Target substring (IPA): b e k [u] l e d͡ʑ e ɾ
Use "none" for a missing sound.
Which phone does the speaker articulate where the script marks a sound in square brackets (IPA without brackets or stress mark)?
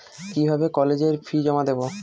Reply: ɔ